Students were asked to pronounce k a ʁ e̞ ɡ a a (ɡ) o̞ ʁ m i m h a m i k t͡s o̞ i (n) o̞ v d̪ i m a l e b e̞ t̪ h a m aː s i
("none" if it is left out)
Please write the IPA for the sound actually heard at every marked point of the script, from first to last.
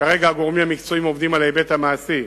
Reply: ɡ, m

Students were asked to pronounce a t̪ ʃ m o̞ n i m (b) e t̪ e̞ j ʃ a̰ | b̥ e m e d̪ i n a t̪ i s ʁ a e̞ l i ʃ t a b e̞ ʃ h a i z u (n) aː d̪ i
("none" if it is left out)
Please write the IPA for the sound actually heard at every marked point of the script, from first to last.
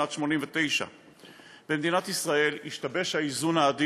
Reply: v, n

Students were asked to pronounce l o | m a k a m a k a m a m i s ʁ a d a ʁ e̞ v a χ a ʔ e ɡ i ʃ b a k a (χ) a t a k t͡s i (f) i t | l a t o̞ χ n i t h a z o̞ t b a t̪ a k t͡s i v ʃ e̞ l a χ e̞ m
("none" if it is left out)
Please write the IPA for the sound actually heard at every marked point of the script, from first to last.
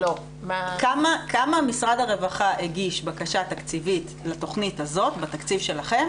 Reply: ʃ, v

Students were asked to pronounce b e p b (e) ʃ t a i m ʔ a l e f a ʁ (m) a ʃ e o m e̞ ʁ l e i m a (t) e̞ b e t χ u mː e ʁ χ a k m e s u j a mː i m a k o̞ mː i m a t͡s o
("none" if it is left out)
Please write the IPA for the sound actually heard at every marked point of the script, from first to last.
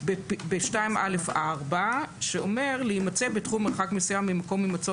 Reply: e, b, t͡s

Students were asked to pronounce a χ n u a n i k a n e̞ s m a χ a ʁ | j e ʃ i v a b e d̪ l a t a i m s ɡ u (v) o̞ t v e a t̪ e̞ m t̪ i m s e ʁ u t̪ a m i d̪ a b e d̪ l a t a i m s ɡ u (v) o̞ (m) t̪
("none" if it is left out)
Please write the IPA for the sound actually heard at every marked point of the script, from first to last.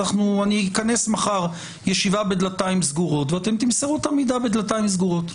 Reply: ʁ, ʁ, none

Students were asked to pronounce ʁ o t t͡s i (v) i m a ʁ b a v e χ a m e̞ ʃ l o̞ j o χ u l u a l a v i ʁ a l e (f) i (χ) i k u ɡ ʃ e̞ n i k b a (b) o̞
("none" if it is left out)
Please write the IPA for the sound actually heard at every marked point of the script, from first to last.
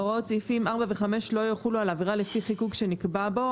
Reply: f, f, χ, b

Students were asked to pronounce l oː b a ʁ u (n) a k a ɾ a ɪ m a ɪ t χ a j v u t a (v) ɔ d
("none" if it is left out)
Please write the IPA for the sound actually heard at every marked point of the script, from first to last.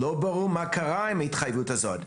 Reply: m, z

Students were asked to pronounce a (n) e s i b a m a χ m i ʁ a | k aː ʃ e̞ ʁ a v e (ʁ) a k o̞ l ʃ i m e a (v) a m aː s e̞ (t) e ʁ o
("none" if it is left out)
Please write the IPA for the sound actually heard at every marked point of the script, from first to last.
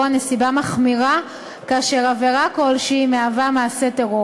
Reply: n, ʁ, v, t

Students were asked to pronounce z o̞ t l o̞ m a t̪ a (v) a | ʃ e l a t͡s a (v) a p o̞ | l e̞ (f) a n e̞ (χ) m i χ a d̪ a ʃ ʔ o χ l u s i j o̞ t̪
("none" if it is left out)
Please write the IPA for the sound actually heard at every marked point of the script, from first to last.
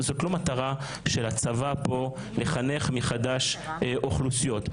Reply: ʁ, v, χ, χ

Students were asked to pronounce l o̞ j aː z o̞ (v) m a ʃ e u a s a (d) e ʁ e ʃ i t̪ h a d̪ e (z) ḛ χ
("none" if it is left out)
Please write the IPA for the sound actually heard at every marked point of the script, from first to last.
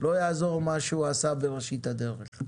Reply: ʁ, b, ʁ

